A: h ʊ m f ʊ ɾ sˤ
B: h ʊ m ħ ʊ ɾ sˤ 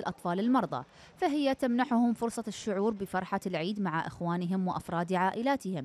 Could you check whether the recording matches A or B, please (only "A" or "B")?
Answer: A